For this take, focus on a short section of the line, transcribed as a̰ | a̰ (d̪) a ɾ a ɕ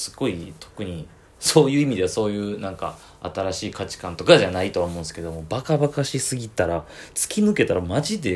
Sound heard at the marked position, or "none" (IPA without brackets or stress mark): t̪